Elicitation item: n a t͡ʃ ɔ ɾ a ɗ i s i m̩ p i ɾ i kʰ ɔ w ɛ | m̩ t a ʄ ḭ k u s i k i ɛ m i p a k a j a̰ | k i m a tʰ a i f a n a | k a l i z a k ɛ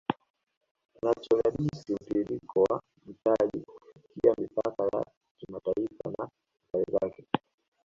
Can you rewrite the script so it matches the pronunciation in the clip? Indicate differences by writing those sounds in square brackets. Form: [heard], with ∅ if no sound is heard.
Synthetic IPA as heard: n a t͡ʃ ɔ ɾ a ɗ i s i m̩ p i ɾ i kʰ ɔ w [a] | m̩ t a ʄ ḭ k u [f] i k i [a] m i p a k a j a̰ | k i m a [t] a i f a n a | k a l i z a k ɛ